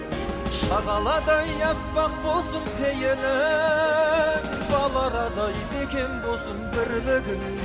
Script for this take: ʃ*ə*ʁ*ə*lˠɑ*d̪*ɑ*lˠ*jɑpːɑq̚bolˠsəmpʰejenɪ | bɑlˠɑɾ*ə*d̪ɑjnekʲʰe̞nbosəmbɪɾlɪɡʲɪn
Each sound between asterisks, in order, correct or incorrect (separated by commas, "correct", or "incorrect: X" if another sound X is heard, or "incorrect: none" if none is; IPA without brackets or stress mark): incorrect: ɑ, incorrect: ɑ, correct, incorrect: none, incorrect: ɑ